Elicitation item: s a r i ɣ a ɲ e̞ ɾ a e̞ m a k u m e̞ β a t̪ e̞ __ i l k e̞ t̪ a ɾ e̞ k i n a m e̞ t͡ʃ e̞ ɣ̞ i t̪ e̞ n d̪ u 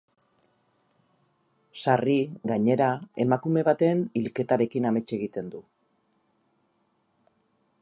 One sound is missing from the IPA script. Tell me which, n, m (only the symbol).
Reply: n